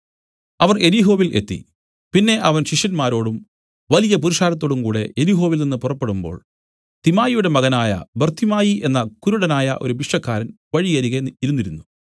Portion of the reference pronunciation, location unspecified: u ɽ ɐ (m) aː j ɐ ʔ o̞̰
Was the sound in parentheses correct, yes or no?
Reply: no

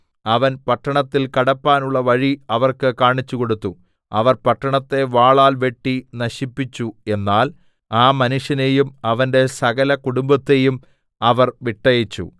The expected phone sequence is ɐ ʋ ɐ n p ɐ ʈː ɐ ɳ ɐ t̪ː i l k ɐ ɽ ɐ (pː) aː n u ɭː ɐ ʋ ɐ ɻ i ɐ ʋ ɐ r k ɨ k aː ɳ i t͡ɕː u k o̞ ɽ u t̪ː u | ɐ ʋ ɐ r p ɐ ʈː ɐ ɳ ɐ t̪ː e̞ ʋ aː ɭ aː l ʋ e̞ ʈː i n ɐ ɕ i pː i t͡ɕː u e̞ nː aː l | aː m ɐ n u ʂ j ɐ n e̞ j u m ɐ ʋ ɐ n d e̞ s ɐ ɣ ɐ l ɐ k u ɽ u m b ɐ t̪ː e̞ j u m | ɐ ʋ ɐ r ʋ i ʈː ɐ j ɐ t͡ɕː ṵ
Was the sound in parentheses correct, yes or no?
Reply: yes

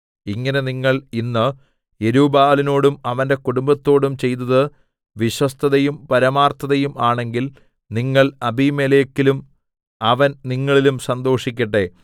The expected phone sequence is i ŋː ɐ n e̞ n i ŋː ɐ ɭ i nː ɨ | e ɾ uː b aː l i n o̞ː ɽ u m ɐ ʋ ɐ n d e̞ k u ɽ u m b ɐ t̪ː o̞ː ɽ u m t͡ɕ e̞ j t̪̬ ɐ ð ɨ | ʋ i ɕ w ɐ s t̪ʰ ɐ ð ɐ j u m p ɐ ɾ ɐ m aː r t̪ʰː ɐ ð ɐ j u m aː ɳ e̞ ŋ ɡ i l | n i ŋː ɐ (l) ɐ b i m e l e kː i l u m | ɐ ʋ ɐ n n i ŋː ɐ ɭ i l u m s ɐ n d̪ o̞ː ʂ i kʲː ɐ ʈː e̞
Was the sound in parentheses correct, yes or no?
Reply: no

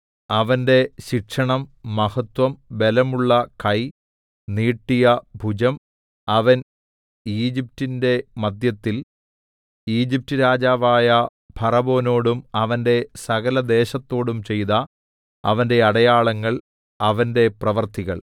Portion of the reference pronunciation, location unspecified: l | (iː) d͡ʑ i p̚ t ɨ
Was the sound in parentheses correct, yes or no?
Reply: yes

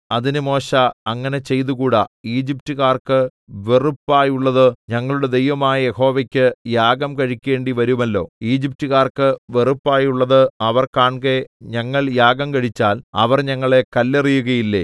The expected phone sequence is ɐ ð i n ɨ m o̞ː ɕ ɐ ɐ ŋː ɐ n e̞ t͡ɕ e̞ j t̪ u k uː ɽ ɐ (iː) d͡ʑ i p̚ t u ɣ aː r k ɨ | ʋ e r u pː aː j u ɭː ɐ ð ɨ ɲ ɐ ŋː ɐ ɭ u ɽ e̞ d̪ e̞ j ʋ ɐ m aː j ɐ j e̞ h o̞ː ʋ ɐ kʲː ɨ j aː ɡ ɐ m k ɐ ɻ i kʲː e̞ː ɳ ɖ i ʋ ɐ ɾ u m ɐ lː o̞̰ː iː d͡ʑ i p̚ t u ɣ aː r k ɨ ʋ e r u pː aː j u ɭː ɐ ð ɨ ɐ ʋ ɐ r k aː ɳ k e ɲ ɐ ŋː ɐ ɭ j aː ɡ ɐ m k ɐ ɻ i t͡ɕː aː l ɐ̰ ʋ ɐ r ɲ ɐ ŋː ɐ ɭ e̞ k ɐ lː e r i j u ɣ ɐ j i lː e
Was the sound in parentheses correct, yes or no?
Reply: yes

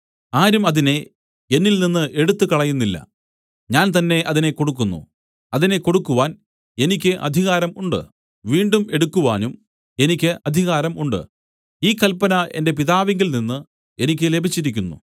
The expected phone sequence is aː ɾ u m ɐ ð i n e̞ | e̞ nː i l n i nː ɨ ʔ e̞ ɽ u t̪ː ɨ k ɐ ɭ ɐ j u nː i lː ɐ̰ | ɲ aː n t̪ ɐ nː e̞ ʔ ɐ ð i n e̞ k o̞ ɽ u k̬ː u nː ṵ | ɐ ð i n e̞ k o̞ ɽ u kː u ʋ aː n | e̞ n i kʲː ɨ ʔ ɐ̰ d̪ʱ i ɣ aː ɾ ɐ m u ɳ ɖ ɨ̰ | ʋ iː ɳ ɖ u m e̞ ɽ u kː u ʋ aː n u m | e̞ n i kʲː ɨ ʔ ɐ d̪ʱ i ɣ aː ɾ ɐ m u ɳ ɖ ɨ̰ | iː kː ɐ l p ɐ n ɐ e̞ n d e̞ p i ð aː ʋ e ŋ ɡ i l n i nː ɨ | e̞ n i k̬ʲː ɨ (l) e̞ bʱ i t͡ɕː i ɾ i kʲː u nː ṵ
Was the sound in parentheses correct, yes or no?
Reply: yes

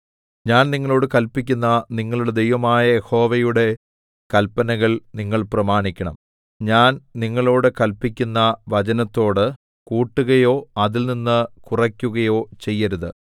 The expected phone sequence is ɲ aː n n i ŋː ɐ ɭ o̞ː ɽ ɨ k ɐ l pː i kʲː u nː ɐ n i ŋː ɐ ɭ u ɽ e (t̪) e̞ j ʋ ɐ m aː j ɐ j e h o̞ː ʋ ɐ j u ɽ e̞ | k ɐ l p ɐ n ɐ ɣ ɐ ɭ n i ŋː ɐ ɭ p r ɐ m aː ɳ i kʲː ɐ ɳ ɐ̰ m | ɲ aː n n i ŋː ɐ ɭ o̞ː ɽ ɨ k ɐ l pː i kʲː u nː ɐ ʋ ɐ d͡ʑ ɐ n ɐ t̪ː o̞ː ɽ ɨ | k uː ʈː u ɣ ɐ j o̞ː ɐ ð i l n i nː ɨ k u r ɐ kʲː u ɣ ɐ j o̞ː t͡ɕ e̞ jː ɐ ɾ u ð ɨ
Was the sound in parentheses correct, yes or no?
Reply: no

